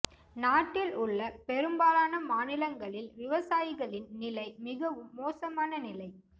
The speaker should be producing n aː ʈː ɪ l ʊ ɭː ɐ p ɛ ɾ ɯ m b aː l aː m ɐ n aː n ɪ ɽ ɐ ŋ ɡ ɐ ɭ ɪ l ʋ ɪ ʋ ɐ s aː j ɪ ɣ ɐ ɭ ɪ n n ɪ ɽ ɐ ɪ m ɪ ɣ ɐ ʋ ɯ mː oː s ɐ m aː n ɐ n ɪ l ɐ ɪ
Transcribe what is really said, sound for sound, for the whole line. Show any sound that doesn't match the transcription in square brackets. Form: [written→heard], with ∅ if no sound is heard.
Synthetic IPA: n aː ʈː ɪ l ʊ ɭː ɐ p ɛ ɾ ɯ m b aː l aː [m→n] ɐ [n→m] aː n ɪ [ɽ→l] ɐ ŋ ɡ ɐ ɭ ɪ l ʋ ɪ ʋ ɐ s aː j ɪ ɣ ɐ ɭ ɪ n n ɪ [ɽ→l] ɐ ɪ m ɪ ɣ ɐ ʋ ɯ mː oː s ɐ m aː n ɐ n ɪ l ɐ ɪ